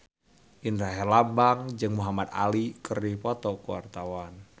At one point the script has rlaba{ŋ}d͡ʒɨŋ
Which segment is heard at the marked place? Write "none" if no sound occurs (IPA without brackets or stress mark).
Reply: ŋ